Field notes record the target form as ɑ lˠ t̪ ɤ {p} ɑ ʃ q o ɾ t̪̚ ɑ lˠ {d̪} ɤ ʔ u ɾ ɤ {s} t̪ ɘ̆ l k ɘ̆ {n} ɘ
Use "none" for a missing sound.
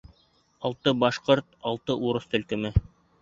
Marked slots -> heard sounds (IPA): b, t̪, s, m

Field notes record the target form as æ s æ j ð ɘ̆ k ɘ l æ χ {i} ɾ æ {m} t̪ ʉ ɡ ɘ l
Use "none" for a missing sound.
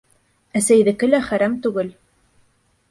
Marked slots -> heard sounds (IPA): æ, m

